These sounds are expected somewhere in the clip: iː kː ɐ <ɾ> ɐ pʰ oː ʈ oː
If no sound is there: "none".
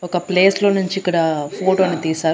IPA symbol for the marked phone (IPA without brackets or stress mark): ɽ